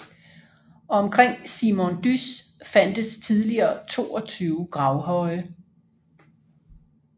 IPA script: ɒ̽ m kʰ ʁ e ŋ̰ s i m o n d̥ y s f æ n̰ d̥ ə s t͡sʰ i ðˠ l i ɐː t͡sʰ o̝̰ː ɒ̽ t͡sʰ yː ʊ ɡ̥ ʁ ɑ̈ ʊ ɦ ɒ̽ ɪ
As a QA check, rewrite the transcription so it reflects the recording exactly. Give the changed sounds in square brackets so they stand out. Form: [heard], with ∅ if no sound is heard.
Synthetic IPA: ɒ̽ m kʰ ʁ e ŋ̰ s i m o n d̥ y s f æ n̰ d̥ ə s t͡sʰ i ðˠ l i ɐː t͡sʰ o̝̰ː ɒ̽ t͡sʰ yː ʊ ɡ̥ ʁ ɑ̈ ʊ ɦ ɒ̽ ɪ

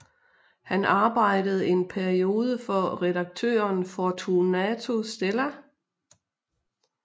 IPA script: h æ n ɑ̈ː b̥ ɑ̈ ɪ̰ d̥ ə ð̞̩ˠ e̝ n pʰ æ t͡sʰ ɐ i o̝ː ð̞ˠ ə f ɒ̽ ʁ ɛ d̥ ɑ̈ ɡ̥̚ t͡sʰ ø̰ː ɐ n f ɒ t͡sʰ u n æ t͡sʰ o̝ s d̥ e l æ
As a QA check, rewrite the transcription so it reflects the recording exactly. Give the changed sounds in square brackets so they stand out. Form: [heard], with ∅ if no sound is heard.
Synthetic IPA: h æ n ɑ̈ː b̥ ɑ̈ ɪ̰ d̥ ə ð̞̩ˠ e̝ n pʰ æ [∅] ɐ i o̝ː ð̞ˠ ə f ɒ̽ ʁ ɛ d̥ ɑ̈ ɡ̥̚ t͡sʰ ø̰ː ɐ n f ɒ t͡sʰ u n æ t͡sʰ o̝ s d̥ e l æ

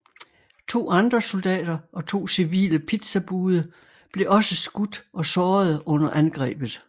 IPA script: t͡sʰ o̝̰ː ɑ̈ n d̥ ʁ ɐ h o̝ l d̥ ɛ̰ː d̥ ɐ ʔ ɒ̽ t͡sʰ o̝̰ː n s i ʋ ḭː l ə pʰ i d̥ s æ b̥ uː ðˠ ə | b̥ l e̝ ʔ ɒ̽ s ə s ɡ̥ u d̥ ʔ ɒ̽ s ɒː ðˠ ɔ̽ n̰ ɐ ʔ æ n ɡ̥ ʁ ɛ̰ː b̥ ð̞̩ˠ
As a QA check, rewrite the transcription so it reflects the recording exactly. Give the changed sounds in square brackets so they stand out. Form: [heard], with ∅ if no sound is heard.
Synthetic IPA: t͡sʰ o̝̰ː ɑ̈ n d̥ ʁ ɐ [s] o̝ l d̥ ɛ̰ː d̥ ɐ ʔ ɒ̽ t͡sʰ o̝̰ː [∅] s i ʋ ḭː l ə pʰ i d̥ s æ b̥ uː ðˠ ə | b̥ l e̝ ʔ ɒ̽ s ə s ɡ̥ u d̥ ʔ ɒ̽ s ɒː ðˠ ɔ̽ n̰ ɐ ʔ æ n ɡ̥ ʁ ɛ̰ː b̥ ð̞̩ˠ

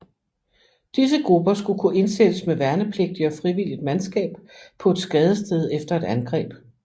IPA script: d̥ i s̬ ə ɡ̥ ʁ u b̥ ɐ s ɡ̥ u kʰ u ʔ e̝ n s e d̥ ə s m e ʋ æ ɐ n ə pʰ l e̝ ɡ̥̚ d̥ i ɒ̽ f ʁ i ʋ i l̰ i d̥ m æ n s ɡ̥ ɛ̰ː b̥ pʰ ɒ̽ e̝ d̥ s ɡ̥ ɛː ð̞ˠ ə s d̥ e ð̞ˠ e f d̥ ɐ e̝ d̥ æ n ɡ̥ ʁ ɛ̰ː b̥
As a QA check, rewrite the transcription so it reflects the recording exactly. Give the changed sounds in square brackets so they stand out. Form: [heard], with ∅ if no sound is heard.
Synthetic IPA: d̥ i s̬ ə ɡ̥ ʁ u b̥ ɐ s ɡ̥ u kʰ u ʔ e̝ n s e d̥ ə s m e ʋ æ ɐ n ə pʰ l e̝ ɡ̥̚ d̥ i ɒ̽ f ʁ i ʋ i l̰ i d̥ m æ n s ɡ̥ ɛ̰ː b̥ pʰ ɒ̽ e̝ d̥ s ɡ̥ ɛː ð̞ˠ ə s d̥ e ð̞ˠ e f d̥ ɐ e̝ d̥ æ n ɡ̥ ʁ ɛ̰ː b̥

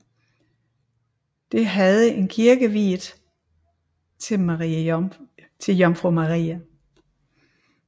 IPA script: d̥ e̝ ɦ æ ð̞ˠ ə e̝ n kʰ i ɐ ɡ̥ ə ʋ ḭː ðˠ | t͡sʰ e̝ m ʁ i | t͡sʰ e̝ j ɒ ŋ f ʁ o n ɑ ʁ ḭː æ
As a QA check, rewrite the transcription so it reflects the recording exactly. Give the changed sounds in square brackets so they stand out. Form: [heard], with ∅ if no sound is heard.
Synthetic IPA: d̥ e̝ ɦ æ ð̞ˠ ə e̝ n kʰ i ɐ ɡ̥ ə ʋ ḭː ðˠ | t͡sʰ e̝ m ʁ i | t͡sʰ e̝ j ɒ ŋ f ʁ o [m] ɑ ʁ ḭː æ

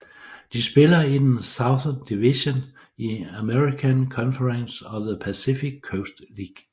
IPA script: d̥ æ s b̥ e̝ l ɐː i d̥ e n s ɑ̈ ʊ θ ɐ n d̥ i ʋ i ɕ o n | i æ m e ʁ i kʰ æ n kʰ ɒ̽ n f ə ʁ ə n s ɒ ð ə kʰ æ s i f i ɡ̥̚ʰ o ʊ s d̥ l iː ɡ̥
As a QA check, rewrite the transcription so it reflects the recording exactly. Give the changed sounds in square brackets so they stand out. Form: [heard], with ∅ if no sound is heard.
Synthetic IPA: d̥ [i] s b̥ e̝ l [ɐ] i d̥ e n s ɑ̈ ʊ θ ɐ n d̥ i ʋ i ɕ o n | i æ m e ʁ i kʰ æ n kʰ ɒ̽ n f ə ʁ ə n s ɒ ð ə [pʰ] æ s i f i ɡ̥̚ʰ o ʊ s d̥ l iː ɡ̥

